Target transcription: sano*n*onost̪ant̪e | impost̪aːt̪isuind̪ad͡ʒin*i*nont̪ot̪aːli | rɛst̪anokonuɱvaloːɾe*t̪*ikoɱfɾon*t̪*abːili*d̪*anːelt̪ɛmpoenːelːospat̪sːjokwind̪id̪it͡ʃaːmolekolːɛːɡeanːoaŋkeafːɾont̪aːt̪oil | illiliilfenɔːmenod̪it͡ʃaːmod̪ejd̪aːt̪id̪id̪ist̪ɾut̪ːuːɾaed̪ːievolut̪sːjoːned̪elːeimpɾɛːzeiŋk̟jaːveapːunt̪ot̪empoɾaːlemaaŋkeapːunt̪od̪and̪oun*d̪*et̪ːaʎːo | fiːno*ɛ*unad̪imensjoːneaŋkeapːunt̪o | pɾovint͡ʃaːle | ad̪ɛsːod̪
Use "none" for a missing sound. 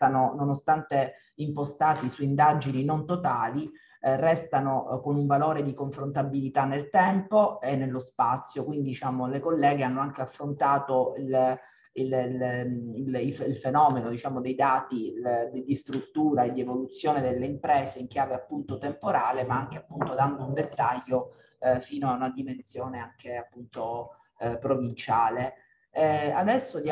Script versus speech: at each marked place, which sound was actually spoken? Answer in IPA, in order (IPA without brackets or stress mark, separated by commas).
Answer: n, i, d̪, t̪, t̪, d̪, a